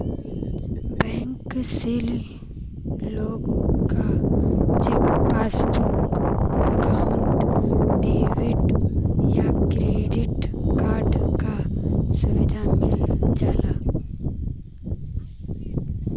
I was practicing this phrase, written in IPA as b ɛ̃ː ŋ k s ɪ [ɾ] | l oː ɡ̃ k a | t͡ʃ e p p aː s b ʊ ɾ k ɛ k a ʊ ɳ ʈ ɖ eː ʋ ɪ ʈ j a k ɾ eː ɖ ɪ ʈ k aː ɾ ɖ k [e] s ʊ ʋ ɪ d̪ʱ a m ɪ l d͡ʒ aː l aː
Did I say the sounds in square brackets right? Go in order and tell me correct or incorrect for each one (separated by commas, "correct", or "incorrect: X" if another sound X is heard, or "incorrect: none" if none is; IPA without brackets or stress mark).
incorrect: l, incorrect: a